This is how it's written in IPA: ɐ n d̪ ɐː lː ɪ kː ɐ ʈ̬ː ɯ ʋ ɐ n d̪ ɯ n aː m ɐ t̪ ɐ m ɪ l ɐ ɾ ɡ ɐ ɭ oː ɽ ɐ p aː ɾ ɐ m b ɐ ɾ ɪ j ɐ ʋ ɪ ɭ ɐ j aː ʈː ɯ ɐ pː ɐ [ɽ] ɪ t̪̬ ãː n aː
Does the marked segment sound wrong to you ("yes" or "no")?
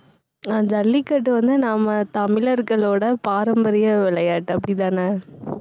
no